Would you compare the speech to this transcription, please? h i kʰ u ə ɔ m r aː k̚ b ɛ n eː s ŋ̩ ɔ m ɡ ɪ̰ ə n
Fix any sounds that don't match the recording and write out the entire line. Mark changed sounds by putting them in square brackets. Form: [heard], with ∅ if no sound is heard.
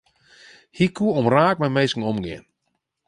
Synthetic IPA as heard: h i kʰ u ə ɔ m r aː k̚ [m] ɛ [m] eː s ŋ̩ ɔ m ɡ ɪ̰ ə n

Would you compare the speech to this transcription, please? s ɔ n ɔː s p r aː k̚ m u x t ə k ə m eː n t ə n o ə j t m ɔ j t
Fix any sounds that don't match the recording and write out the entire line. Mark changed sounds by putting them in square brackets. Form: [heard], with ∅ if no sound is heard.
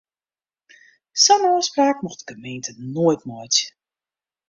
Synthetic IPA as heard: s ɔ n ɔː s p r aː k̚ m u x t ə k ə m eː n t ə n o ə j t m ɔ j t

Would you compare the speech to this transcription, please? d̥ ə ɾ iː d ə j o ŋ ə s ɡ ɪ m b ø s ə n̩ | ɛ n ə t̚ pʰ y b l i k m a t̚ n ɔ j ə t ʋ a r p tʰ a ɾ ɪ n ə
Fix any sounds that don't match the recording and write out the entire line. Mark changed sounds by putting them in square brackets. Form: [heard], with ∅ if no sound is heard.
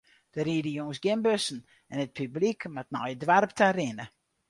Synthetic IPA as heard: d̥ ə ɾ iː d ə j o ŋ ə s ɡ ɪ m b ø s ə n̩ | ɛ n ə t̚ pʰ y b l i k m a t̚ n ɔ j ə [d] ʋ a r p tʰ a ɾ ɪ n ə

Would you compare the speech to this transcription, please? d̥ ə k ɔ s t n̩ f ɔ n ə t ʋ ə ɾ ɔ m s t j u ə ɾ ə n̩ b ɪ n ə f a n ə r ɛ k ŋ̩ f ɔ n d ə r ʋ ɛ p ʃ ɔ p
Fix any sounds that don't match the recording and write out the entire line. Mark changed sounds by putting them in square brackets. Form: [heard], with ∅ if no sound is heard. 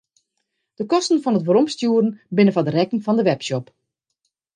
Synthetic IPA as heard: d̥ ə k ɔ s t n̩ f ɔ n ə t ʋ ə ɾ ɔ m s t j u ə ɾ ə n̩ b ɪ n ə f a [d] ə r ɛ k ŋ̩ f ɔ n d ə [∅] ʋ ɛ p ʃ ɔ p

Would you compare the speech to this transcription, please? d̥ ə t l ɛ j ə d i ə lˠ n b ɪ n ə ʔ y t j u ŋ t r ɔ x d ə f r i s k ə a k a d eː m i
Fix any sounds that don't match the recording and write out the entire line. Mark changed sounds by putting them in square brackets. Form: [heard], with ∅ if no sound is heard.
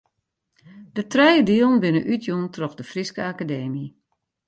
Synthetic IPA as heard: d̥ ə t [r] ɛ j ə d i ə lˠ n b ɪ n ə ʔ y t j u [n] t r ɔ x d ə f r i s k ə a k a d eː m i

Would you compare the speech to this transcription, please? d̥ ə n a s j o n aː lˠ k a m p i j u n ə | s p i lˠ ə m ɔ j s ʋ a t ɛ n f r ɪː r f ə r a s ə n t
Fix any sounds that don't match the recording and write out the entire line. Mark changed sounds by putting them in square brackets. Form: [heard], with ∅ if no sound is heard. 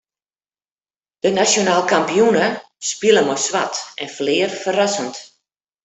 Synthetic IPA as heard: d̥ ə n a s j o n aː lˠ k a m p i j u n ə | s p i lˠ ə m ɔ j s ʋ a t ɛ n f [l] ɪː r f ə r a s ə n t

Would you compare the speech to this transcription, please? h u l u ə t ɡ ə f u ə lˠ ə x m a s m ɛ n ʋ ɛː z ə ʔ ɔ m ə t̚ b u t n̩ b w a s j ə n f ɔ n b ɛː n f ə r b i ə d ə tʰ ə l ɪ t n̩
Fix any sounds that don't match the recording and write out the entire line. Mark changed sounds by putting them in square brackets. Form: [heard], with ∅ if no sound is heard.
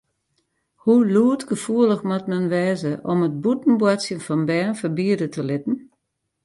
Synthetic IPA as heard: h u l u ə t ɡ ə f u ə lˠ ə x m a [t] m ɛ n ʋ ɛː z ə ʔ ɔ m ə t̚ b u t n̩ b w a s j ə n f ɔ n b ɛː n f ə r b i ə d ə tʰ ə l ɪ t n̩

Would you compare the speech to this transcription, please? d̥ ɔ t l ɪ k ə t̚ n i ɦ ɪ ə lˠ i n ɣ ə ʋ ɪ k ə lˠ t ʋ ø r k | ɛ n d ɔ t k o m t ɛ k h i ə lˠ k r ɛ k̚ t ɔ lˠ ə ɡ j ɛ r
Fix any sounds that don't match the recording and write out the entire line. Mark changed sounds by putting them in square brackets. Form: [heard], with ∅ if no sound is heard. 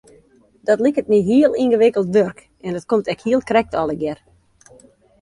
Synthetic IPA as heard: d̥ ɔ t l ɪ k ə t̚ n i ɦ [i] ə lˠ i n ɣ ə ʋ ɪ k ə lˠ t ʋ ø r k | ɛ n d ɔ t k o m t ɛ k h i ə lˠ k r ɛ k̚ t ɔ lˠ ə ɡ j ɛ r

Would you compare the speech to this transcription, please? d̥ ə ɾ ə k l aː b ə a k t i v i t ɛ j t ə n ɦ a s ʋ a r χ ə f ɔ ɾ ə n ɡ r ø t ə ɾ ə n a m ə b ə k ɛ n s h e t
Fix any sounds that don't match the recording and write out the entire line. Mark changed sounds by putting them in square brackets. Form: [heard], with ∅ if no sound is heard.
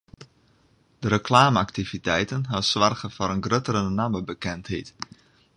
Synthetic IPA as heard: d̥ ə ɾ ə k l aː [m] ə a k t i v i t ɛ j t ə n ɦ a s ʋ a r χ ə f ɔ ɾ ə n ɡ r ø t ə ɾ ə n a m ə b ə k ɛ n [t] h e t

